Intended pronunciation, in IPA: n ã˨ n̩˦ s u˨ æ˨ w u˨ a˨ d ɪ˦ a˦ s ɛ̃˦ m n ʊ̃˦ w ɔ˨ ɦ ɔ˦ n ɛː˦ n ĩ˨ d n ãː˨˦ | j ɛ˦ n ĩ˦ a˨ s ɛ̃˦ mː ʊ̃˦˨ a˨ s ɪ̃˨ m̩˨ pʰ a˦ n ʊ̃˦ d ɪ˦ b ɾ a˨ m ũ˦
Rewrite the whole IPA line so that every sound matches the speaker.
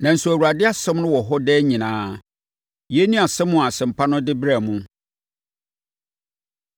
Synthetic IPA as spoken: n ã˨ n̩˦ s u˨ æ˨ w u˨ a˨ d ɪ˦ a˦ s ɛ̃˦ m n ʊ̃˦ w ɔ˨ ɦ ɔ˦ d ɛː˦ ɲ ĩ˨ n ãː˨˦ | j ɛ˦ n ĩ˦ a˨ s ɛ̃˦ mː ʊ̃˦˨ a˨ s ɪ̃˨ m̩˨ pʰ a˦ n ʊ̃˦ d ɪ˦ b ɾ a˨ m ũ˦